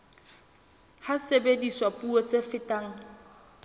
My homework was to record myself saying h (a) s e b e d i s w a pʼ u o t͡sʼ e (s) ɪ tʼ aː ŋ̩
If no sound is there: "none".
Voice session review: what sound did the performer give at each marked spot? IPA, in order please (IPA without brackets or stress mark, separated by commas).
a, f